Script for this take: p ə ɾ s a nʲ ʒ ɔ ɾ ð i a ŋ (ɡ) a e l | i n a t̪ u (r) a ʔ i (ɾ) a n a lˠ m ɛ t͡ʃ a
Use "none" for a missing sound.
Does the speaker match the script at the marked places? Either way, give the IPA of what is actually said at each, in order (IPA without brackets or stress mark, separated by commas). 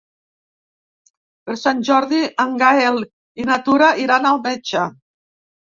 ɡ, ɾ, ɾ